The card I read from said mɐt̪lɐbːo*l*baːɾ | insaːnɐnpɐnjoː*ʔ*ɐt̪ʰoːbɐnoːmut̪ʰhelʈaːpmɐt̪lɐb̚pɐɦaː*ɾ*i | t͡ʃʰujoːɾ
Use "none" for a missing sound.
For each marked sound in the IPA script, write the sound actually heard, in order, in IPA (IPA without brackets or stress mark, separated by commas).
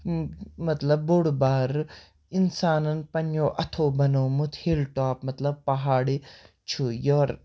ɽ, ʔ, ɽ